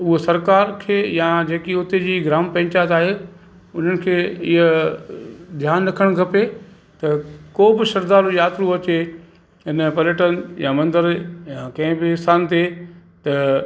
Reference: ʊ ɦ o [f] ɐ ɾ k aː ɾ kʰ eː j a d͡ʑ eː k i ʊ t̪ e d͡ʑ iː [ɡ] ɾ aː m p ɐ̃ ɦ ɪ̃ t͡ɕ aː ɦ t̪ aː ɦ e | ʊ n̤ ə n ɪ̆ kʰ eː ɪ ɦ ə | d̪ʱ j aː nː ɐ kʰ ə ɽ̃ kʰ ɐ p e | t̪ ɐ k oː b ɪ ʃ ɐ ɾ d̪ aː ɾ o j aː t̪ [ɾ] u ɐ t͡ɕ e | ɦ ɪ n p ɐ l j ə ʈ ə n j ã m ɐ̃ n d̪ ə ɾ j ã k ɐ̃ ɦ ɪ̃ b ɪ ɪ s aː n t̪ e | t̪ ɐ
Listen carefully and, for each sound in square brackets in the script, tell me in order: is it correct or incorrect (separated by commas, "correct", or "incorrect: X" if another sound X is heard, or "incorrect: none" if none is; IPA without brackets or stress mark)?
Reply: incorrect: s, correct, correct